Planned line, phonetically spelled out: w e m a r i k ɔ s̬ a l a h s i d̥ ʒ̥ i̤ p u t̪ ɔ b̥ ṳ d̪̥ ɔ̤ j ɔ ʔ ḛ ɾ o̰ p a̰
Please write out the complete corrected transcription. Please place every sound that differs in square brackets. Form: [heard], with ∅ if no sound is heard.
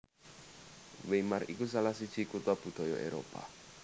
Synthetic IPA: w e m a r i k [u] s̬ a l a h s i d̥ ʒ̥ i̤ [k] u t̪ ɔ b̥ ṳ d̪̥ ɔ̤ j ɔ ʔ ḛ ɾ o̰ p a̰